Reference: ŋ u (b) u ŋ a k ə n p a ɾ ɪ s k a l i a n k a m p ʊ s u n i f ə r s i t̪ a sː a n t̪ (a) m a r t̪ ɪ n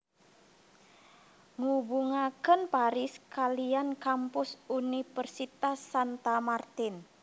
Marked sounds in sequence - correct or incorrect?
correct, correct

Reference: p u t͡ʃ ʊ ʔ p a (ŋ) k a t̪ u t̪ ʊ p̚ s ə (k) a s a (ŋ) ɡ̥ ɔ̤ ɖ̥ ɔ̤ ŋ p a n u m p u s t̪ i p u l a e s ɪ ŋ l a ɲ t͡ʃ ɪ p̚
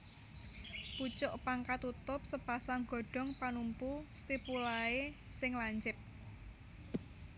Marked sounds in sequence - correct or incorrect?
correct, incorrect: p, correct

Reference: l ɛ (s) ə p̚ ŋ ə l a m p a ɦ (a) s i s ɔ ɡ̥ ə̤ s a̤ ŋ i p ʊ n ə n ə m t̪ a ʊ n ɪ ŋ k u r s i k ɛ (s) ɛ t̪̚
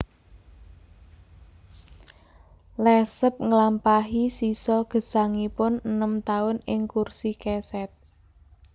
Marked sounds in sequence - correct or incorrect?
correct, incorrect: i, correct

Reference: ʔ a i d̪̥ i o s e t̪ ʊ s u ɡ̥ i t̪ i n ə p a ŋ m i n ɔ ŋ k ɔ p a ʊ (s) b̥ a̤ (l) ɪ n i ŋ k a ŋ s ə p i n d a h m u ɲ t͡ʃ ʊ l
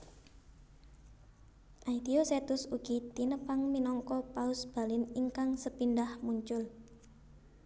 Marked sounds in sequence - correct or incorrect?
correct, correct

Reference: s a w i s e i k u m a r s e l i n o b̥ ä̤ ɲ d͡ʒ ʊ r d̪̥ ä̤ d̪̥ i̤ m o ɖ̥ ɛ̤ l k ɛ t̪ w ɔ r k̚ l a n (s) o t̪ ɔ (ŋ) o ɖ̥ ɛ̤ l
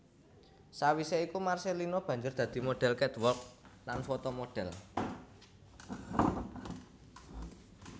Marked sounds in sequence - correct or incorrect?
incorrect: f, incorrect: m

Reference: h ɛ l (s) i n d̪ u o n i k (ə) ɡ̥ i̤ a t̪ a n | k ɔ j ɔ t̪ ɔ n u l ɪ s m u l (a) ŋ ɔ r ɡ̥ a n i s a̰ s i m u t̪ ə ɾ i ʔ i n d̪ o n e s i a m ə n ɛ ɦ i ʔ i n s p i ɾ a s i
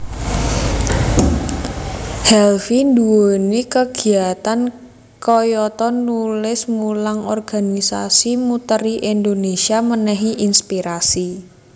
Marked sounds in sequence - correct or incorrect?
incorrect: f, correct, correct

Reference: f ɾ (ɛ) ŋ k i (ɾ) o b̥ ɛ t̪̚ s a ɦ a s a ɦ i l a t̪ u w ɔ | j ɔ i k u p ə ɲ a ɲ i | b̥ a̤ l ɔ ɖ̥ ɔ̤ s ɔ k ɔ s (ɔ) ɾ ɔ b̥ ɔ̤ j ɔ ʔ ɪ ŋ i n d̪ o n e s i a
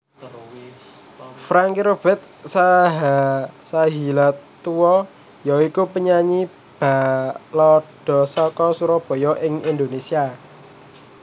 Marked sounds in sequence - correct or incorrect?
incorrect: a, correct, incorrect: u

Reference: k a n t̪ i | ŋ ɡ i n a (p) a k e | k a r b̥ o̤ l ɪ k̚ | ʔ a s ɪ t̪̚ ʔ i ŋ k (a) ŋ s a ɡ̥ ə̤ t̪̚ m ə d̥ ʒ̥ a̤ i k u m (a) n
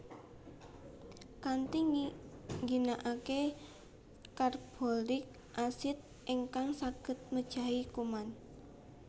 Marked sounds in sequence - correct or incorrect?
incorrect: ʔ, correct, correct

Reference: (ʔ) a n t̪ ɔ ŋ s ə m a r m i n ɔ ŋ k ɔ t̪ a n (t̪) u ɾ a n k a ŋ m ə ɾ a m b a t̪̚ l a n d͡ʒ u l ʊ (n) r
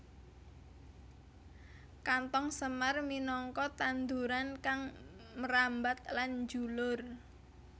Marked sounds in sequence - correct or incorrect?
incorrect: k, incorrect: d̪, incorrect: none

